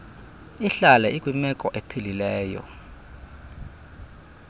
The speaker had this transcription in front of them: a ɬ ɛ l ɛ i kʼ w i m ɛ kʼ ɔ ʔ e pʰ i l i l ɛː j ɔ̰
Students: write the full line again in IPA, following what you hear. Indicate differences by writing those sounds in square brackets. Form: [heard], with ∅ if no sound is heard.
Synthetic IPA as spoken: [i] ɬ [a] l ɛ i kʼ w i m ɛ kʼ ɔ ʔ e pʰ i l i l ɛː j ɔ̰